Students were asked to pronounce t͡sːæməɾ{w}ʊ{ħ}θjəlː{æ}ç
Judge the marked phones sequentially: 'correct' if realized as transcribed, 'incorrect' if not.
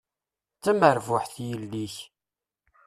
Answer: incorrect, correct, incorrect

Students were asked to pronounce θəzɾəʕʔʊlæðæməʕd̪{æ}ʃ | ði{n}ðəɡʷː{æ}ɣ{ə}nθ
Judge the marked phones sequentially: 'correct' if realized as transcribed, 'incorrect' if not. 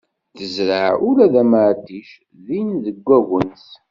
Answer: incorrect, correct, correct, correct

